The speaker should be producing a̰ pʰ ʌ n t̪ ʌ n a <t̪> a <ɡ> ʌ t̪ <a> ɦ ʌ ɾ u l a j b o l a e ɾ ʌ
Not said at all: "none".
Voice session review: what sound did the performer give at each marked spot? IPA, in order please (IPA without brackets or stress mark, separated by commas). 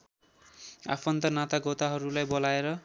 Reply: t̪, ɡ, a